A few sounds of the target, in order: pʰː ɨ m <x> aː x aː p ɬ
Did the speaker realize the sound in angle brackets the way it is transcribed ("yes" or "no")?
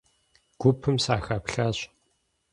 no